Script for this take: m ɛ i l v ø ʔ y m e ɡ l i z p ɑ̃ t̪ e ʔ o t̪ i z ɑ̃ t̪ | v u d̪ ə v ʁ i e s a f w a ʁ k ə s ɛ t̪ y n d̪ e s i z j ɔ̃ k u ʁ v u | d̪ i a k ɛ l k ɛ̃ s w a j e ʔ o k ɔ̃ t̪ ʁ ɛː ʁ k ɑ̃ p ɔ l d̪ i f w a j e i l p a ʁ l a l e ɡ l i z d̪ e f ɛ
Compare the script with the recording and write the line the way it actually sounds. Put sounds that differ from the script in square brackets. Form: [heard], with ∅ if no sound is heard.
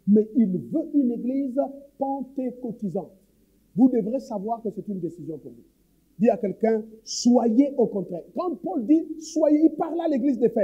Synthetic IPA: m ɛ i l v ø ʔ y [n] e ɡ l i z p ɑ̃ t̪ e [k] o t̪ i z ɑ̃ t̪ | v u d̪ ə v ʁ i e s a [v] w a ʁ k ə s ɛ t̪ y n d̪ e s i z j ɔ̃ [p] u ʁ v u | d̪ i a k ɛ l k ɛ̃ s w a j e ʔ o k ɔ̃ t̪ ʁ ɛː ʁ k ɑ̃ p ɔ l d̪ i [s] w a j e i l p a ʁ l a l e ɡ l i z d̪ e f ɛ